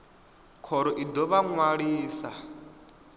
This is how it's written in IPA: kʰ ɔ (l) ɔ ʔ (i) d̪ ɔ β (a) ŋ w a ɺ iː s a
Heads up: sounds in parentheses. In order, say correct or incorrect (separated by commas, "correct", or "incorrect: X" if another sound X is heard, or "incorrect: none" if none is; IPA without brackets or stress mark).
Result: incorrect: ɾ, correct, correct